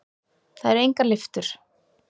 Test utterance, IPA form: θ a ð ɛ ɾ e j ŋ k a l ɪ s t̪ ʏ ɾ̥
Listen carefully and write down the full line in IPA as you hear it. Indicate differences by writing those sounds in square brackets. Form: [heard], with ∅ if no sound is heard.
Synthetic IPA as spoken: θ a ð ɛ ɾ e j ŋ k a l ɪ [f] t̪ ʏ ɾ̥